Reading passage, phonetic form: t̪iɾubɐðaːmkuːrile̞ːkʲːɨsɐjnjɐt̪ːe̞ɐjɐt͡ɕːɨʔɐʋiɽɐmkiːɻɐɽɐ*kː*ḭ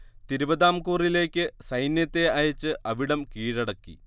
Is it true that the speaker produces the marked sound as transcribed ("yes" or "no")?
yes